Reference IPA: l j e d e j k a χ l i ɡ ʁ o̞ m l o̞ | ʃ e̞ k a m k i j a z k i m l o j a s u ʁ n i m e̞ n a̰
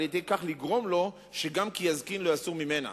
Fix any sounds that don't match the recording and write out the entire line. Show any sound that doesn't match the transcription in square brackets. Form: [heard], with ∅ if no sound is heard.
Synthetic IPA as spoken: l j e d e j k a χ l i ɡ ʁ o̞ m l o̞ | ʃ e̞ [ɡ] a m k i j a z k i [n] l o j a s u ʁ [m] i m e̞ n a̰